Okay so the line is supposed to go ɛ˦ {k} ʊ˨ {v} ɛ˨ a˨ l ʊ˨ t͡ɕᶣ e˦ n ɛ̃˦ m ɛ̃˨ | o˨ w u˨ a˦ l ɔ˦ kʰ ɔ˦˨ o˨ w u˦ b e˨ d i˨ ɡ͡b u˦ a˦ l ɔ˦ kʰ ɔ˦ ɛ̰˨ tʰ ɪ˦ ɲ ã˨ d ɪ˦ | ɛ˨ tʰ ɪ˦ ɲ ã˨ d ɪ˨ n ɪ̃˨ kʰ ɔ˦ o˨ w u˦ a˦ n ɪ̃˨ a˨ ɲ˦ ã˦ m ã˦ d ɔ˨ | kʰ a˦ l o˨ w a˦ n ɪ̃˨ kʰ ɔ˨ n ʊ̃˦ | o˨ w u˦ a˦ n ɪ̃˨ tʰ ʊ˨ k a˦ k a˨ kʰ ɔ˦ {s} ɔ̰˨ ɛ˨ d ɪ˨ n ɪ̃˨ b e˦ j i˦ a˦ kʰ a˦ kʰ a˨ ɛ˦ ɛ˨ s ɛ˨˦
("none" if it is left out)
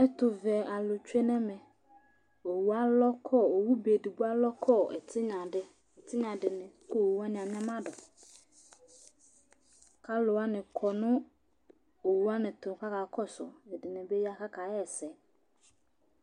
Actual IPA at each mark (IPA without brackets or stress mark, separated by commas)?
t, v, s